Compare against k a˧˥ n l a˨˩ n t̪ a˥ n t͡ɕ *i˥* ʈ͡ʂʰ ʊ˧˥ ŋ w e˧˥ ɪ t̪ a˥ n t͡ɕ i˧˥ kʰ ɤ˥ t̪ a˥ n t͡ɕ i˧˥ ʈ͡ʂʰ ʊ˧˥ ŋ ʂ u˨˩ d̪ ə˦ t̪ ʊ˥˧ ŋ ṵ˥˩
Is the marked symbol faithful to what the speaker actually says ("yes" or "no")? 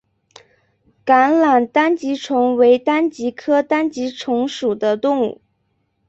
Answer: no